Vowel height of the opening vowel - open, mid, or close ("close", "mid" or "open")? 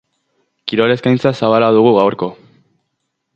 close